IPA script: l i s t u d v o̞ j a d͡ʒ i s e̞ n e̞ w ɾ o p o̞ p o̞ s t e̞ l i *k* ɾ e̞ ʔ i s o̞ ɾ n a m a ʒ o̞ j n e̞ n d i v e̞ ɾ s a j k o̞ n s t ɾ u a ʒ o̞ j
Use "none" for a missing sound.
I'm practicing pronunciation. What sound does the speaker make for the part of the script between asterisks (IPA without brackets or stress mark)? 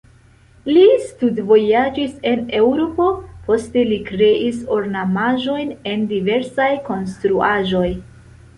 k